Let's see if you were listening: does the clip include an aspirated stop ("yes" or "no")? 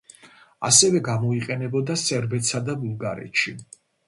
no